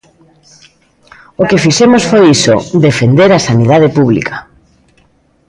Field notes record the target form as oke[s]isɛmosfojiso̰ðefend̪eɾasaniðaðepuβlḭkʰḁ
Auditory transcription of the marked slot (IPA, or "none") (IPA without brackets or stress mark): f